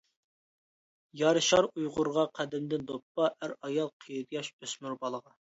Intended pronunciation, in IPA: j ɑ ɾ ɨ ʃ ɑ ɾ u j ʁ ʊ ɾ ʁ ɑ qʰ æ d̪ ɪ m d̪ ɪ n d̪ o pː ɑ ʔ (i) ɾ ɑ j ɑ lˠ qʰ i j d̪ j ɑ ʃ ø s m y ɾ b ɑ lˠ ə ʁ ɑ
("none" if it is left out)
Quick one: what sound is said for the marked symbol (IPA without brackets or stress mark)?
æ